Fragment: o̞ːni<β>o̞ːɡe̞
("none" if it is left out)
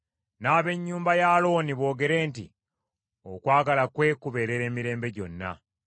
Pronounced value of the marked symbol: β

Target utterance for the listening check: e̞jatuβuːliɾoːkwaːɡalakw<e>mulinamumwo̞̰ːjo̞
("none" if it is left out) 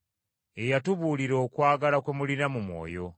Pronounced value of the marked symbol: e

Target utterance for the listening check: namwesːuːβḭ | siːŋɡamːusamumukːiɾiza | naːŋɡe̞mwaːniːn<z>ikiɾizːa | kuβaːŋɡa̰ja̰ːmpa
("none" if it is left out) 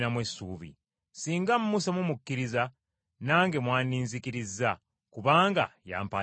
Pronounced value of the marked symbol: z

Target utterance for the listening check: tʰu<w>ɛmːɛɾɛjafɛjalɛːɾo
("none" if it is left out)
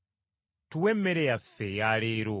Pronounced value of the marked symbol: w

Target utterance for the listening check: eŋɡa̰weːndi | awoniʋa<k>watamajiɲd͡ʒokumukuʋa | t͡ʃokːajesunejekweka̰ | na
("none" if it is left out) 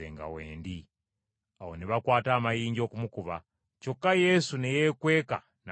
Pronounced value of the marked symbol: k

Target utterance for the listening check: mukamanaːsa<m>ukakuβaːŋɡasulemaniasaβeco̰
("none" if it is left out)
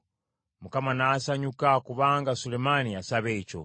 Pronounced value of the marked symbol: ɲ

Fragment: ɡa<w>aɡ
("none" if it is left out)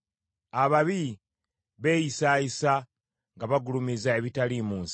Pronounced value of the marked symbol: β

